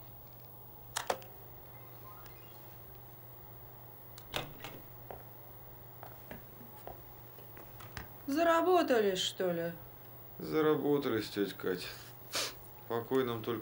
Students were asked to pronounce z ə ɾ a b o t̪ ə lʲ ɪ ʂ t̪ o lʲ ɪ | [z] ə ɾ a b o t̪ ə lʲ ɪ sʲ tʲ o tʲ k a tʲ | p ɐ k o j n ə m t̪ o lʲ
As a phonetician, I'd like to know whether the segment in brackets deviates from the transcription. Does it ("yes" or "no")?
no